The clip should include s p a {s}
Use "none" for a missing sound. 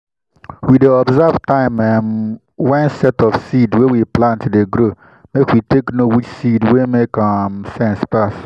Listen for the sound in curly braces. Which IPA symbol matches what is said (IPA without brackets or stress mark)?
s